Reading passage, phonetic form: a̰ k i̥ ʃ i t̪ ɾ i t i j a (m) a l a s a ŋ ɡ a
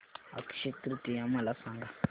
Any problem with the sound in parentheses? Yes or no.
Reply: no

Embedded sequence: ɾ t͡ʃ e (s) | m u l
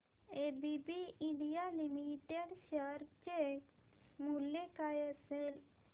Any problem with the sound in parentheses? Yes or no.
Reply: yes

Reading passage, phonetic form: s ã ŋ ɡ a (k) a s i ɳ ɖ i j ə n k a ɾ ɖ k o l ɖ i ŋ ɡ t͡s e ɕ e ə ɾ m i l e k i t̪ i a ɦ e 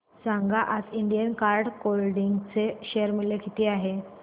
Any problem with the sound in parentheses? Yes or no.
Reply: yes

